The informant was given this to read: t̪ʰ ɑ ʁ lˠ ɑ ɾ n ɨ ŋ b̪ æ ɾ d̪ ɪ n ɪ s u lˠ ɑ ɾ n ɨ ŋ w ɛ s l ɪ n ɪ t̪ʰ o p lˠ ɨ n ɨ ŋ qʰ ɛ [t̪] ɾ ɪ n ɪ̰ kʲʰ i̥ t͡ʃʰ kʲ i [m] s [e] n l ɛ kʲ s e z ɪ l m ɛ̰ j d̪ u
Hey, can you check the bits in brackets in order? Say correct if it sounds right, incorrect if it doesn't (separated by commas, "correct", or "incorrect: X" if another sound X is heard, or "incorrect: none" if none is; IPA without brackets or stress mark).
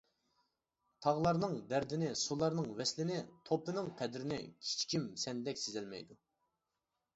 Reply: incorrect: d̪, correct, incorrect: ɛ